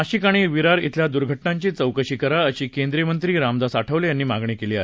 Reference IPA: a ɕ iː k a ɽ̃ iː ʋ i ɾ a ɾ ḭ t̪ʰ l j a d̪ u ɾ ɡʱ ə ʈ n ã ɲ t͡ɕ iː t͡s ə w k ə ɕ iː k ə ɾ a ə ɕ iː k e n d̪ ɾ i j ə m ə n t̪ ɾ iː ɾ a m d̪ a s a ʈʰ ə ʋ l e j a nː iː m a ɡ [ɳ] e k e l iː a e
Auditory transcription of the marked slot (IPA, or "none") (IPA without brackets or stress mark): ɳ